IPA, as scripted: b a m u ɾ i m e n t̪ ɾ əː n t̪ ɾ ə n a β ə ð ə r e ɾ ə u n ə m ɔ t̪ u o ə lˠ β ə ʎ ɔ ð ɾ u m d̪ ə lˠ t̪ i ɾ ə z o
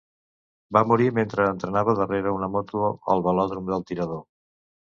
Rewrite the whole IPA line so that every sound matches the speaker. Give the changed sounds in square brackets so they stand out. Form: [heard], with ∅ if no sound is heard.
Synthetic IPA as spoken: b a m u ɾ i m e n t̪ ɾ əː n t̪ ɾ ə n a β ə ð ə r e ɾ ə u n ə m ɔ t̪ u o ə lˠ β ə [l] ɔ ð ɾ u m d̪ ə lˠ t̪ i ɾ ə [ð] o